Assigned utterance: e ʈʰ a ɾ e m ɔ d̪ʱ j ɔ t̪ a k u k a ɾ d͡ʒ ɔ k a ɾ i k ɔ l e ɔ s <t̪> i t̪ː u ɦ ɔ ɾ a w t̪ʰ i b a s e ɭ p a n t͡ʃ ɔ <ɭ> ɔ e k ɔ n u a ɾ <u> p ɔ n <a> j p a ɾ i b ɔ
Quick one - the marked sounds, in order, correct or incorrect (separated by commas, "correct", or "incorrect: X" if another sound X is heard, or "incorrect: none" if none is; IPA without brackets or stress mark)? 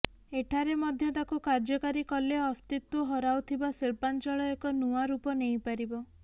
correct, correct, correct, incorrect: e